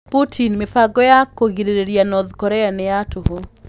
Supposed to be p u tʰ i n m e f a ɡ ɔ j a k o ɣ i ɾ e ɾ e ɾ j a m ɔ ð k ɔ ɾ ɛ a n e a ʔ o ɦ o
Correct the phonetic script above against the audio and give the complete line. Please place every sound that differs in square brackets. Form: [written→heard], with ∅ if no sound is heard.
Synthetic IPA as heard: p u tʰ i n m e f a ɡ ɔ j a k o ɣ i ɾ e ɾ e ɾ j a [m→n] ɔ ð k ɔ ɾ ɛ a n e a [ʔ→t] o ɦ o